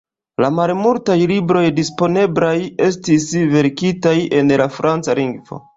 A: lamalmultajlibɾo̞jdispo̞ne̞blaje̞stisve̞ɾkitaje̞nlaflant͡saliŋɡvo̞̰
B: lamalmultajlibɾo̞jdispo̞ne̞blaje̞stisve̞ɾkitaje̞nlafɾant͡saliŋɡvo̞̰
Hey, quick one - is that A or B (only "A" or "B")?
B